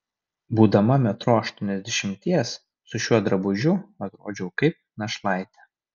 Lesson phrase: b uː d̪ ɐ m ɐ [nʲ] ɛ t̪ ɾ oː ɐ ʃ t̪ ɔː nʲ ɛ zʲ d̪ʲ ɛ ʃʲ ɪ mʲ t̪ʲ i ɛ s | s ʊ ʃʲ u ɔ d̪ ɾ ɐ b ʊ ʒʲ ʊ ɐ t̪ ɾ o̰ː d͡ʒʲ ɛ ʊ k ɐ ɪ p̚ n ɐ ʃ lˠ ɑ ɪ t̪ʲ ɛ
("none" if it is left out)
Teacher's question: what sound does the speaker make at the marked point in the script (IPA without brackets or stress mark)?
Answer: mʲ